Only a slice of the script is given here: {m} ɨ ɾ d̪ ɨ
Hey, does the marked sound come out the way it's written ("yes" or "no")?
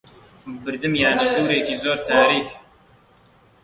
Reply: no